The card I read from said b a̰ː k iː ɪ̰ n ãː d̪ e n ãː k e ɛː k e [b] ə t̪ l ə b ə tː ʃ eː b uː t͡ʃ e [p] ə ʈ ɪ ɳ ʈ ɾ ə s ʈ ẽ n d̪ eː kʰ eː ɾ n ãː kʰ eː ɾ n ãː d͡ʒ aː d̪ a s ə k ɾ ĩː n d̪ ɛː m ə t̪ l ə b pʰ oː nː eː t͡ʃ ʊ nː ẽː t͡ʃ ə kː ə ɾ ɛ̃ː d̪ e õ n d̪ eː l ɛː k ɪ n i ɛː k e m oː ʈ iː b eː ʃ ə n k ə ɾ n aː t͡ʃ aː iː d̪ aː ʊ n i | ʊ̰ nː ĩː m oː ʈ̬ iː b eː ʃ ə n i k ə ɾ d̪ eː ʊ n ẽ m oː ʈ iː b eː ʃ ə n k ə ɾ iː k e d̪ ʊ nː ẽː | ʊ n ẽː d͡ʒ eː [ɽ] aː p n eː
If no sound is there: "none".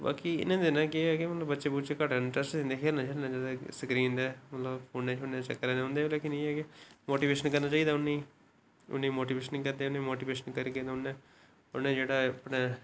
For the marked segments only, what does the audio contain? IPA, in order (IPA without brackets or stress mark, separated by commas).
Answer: m, k, ɽ